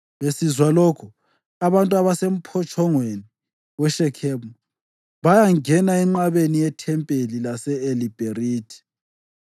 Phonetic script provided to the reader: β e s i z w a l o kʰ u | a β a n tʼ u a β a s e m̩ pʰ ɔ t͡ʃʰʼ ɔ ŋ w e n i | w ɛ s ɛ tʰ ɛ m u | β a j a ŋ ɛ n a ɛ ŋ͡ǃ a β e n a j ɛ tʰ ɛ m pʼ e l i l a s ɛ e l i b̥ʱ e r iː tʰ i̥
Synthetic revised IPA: β e s i z w a l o kʰ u | a β a n tʼ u a β a s e m̩ pʰ ɔ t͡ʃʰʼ ɔ ŋ w e n i | w ɛ ʃ ɛ kʰ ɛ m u | β a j a ŋ ɛ n a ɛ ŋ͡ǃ a β e n i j ɛ tʰ ɛ m pʼ e l i l a s ɛ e l i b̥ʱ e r iː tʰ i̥